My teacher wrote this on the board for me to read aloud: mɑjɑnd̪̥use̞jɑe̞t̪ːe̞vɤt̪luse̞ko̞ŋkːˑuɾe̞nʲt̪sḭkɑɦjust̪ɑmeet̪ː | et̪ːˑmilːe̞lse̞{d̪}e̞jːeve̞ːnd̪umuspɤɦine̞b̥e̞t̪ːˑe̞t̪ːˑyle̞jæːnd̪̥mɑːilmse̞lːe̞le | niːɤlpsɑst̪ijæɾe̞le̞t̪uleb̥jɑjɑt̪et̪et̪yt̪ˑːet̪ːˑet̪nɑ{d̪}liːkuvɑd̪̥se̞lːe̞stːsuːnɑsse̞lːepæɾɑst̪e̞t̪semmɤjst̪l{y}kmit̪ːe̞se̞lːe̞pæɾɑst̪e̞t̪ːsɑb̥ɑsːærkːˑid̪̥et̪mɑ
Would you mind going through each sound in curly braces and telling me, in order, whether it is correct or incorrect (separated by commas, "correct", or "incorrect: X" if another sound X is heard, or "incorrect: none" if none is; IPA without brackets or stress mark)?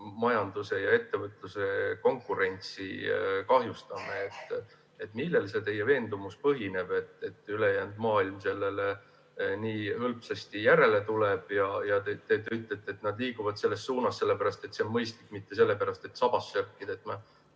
incorrect: t̪, correct, incorrect: i